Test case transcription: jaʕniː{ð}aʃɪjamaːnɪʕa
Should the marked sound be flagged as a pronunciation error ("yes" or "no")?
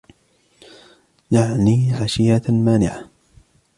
yes